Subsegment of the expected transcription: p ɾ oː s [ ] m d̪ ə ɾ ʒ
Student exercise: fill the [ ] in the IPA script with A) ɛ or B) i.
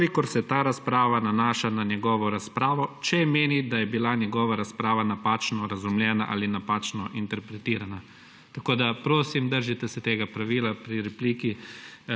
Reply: B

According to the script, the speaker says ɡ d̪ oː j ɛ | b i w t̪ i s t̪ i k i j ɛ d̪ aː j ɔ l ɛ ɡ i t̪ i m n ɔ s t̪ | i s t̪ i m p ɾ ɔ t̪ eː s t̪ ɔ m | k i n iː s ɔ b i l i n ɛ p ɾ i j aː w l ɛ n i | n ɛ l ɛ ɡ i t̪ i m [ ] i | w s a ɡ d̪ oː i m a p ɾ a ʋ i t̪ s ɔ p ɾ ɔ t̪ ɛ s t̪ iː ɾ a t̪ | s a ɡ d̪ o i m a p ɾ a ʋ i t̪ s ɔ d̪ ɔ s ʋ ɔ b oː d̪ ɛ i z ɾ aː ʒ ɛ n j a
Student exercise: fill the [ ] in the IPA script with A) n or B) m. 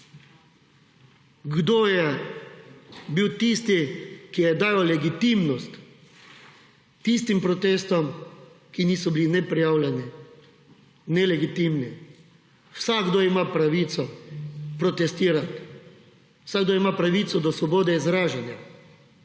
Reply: A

